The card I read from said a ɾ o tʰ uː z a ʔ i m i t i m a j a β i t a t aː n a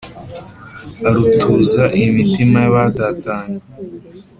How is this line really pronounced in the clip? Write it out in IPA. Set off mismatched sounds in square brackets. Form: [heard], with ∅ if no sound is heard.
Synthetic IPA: a ɾ [u] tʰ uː z a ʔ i m i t i m a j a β [a] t a t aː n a